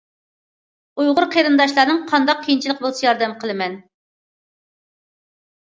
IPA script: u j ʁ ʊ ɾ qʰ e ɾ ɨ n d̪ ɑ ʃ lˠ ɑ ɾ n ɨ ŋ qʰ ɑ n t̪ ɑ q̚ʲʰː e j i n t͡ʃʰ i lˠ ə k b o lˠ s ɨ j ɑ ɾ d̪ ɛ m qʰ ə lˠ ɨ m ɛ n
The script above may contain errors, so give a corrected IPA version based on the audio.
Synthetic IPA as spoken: u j ʁ ʊ ɾ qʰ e ɾ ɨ n d̪ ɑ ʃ lˠ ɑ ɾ n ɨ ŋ qʰ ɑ n d̪ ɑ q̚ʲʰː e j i n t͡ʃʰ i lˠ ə q b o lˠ s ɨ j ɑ ɾ d̪ ɛ m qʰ ə lˠ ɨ m ɛ n